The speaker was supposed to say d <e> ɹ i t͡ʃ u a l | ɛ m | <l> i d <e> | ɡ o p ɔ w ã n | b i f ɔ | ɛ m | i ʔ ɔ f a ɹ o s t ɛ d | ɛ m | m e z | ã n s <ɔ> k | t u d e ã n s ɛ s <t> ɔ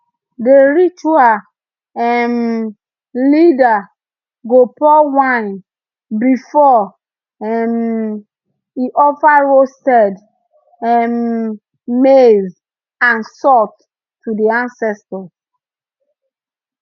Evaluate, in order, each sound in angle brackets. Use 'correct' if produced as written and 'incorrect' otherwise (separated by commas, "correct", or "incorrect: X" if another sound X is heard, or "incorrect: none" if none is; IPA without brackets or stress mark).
correct, correct, incorrect: a, correct, correct